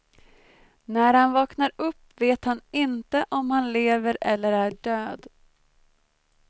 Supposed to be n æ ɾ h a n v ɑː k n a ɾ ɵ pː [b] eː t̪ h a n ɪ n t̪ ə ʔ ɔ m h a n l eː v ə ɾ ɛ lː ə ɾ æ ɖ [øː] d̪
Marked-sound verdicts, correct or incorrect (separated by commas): incorrect, correct